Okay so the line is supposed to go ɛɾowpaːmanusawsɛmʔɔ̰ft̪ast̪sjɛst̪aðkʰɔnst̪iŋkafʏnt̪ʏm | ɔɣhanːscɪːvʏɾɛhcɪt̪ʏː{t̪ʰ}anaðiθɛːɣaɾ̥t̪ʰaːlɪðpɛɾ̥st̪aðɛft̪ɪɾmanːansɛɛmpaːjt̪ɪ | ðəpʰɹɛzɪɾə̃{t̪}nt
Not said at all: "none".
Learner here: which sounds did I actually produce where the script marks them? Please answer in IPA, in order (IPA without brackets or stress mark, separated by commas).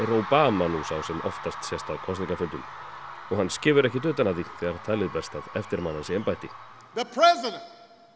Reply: t̪, none